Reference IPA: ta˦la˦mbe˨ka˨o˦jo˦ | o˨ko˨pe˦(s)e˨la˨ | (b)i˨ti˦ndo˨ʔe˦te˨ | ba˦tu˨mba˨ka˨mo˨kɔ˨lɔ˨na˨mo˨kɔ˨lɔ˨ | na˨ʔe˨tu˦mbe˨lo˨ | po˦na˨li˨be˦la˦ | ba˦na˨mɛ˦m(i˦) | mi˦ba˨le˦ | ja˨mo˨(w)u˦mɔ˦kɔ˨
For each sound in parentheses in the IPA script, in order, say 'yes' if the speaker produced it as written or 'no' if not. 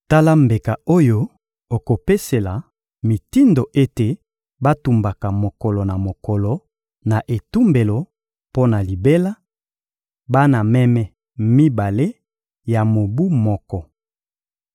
yes, no, no, no

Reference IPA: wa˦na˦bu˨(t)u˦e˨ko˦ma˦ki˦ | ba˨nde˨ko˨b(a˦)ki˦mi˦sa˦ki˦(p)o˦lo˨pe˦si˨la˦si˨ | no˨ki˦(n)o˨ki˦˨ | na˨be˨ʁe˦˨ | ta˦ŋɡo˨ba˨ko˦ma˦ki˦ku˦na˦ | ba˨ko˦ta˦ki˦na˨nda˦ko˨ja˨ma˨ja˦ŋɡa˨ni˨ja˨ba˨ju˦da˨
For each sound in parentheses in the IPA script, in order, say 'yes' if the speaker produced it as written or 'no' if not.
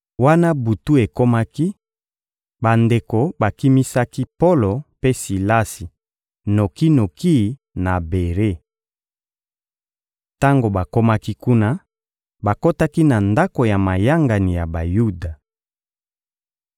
yes, no, yes, yes

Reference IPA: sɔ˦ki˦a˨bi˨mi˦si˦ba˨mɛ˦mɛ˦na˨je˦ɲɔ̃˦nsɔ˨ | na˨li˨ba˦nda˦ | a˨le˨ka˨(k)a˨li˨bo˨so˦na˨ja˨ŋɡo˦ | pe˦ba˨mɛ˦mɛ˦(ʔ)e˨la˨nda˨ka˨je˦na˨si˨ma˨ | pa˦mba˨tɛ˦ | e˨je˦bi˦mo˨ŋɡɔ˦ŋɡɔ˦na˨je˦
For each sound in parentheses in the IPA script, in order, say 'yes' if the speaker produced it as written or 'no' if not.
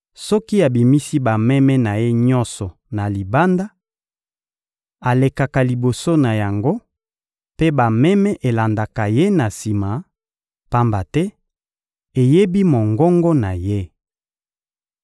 yes, yes

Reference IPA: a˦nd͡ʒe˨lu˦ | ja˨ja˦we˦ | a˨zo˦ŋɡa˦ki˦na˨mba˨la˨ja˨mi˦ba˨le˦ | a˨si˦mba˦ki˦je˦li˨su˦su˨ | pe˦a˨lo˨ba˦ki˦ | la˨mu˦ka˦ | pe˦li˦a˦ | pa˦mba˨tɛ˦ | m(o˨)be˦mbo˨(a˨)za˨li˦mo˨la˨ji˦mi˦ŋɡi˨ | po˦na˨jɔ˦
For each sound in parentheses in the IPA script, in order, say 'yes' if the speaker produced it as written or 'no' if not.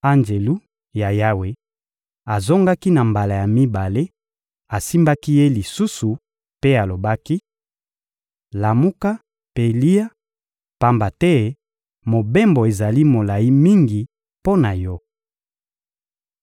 yes, no

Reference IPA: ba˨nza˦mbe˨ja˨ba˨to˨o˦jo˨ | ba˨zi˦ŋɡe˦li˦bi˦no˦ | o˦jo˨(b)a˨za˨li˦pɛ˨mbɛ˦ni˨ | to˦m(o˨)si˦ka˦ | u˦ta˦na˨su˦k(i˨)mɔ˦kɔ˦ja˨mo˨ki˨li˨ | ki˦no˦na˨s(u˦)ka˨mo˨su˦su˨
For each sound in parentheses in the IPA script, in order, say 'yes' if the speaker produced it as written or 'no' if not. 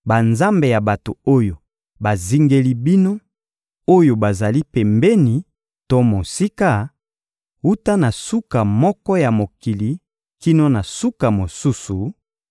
yes, yes, no, yes

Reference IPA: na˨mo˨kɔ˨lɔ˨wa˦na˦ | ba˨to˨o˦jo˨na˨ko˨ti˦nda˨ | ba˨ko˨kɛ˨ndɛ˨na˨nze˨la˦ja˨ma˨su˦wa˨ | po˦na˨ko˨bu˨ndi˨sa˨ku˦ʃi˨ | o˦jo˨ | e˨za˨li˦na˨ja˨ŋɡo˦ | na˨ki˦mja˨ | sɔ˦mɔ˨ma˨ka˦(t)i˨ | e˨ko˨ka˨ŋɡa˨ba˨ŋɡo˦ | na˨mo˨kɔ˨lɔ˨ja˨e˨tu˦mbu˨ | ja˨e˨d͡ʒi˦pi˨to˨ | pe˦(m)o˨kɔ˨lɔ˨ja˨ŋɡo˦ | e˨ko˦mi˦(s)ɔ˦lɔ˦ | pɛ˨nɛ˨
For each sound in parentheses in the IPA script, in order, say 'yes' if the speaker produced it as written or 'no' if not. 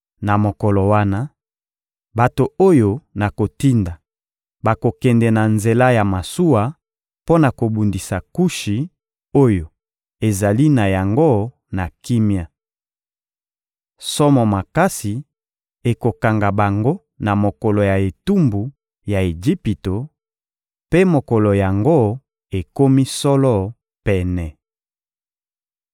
no, yes, yes

